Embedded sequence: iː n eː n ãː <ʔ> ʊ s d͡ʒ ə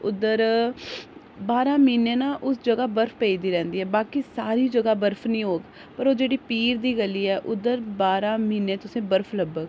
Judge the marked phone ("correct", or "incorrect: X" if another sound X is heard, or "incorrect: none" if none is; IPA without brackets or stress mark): correct